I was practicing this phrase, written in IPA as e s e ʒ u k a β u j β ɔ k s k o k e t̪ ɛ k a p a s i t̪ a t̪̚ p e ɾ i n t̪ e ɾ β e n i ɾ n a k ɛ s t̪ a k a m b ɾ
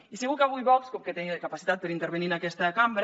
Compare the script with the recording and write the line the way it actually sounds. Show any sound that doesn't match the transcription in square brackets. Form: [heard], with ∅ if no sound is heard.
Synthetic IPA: [i] s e [ɣ] u k a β u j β ɔ k s k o k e t̪ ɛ k a p a s i t̪ a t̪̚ p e ɾ i n t̪ e ɾ β e n i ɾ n a k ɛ s t̪ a k a m b ɾ

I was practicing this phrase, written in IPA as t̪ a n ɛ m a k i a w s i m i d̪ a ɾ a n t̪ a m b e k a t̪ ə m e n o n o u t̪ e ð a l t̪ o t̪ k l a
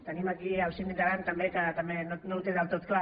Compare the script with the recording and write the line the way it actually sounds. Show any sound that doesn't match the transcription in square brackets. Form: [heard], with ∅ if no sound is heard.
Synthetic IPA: t̪ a n [i] m a k i a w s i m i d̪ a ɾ a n t̪ a m b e k a t̪ [a] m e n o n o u t̪ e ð a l t̪ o t̪ k l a

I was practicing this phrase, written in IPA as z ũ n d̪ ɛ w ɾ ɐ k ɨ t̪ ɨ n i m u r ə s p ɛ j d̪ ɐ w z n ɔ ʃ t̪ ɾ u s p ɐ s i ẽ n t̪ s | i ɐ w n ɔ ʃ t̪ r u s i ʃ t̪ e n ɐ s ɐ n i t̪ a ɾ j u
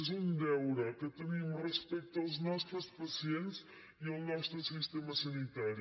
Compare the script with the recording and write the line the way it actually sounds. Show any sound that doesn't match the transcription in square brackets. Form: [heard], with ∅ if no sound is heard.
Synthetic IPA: z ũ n d̪ ɛ w ɾ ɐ k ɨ t̪ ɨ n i m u r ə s p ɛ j [t̪] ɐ w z n ɔ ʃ t̪ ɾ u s p ɐ s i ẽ n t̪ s | i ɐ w n ɔ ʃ t̪ [ɾ] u s i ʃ t̪ e [m] ɐ s ɐ n i t̪ a ɾ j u

